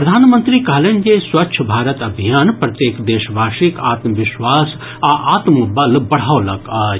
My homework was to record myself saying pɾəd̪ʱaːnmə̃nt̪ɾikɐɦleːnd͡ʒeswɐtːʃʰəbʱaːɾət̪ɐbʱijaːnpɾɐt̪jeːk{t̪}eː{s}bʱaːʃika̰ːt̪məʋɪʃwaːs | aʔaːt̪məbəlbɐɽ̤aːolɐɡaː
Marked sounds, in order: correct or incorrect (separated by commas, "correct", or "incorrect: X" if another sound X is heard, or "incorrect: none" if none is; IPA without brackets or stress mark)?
incorrect: d̪, incorrect: ʃ